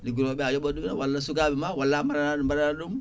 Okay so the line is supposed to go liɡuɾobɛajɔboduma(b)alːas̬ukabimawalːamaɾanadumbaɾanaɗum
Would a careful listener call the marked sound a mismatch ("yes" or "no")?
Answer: yes